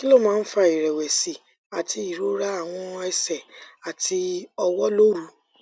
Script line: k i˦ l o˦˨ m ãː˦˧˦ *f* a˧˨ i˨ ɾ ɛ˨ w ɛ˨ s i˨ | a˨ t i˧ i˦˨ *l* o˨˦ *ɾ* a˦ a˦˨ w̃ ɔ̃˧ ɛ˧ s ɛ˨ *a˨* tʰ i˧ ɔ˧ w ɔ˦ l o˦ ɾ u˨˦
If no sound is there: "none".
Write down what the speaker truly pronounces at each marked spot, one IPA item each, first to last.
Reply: f, ɾ, ɾ, a˨

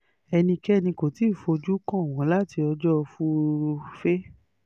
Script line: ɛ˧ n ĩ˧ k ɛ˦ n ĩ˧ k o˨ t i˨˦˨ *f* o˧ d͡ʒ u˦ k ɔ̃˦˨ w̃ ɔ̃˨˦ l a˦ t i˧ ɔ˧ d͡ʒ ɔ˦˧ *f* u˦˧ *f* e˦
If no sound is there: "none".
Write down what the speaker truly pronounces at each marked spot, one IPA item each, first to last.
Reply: f, f, f

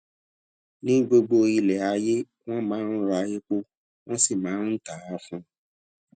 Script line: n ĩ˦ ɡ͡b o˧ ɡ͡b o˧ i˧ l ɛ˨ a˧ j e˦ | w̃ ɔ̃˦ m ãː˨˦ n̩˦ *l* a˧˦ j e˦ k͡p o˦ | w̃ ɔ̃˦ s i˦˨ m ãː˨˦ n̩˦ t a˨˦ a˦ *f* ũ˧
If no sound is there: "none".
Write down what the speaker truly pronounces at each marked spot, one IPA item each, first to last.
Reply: ɾ, f

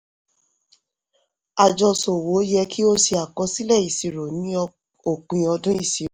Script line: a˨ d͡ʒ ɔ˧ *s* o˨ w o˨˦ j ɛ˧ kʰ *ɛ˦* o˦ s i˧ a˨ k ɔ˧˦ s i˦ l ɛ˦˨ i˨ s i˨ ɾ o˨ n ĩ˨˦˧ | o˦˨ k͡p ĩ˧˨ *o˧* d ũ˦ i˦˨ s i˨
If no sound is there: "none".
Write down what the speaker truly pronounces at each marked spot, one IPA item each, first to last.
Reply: s, i˦, ɔ˧

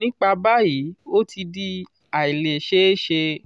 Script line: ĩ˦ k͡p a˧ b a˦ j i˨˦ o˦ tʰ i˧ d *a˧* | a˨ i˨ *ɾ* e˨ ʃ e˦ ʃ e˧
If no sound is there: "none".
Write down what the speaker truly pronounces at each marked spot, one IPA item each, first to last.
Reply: i˧, l

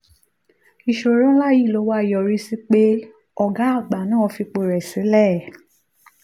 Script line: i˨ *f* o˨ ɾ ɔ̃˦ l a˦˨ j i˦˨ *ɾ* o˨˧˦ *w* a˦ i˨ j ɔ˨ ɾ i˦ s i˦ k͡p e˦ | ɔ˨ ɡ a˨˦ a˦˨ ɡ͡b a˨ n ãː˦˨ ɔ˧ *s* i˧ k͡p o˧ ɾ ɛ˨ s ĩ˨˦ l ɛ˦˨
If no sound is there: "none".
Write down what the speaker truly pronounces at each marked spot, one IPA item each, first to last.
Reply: ʃ, l, w, f

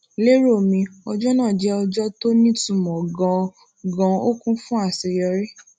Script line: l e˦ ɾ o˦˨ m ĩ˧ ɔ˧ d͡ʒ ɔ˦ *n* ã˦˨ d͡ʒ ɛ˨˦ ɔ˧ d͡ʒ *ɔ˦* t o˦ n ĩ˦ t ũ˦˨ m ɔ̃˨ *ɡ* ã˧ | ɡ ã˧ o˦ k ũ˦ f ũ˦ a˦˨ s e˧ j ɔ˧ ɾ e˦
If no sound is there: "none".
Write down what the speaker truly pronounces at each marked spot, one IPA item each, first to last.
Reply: n, ɔ˦, ɡ

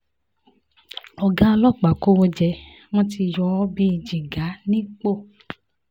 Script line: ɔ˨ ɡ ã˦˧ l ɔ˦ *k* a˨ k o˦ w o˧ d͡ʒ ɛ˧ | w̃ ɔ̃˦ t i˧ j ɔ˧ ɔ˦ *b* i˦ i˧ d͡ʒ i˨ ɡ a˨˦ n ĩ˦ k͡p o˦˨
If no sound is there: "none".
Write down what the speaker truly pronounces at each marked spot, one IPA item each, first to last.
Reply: k͡p, b

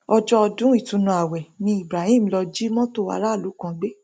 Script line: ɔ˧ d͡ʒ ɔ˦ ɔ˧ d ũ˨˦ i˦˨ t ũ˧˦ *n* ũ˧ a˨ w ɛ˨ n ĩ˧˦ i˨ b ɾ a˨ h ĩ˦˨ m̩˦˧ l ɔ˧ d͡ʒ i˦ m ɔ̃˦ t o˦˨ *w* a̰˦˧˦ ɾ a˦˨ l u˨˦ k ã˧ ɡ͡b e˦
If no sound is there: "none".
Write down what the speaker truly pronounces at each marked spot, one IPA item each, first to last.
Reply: n, w

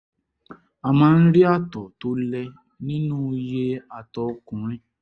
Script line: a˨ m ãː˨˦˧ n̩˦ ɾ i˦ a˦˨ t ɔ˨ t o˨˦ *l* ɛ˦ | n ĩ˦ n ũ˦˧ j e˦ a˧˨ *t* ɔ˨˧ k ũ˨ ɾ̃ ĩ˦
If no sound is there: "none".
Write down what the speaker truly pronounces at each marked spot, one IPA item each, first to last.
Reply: l, t

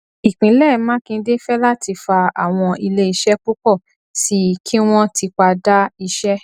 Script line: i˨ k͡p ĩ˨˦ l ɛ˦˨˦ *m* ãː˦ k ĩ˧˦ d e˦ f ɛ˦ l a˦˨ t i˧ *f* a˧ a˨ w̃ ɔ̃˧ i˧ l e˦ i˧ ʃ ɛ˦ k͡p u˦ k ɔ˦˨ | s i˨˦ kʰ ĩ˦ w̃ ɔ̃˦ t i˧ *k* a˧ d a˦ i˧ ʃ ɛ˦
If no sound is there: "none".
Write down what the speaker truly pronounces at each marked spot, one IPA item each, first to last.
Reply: m, f, k͡p

